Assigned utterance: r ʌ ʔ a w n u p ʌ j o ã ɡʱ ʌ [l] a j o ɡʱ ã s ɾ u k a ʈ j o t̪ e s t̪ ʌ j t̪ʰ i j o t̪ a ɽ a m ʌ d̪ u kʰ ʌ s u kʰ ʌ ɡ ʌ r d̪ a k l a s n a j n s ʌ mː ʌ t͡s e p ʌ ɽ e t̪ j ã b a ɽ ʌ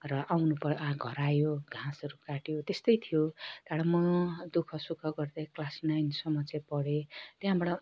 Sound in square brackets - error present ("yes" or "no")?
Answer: yes